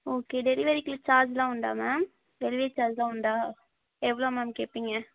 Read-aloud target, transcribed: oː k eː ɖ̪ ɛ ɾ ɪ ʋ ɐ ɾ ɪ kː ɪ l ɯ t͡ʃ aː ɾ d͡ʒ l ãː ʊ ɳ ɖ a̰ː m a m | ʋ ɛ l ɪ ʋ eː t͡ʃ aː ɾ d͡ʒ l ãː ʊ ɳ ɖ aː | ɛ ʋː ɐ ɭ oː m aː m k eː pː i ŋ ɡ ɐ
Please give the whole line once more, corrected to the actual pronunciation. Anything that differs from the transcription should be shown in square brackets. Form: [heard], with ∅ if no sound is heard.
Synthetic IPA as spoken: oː k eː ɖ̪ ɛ ɾ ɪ ʋ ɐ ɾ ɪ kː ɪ l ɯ t͡ʃ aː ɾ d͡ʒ l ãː ʊ ɳ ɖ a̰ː m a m | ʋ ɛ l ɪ ʋ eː t͡ʃ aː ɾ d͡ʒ l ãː ʊ ɳ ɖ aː | ɛ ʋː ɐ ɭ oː m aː m k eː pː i ŋ ɡ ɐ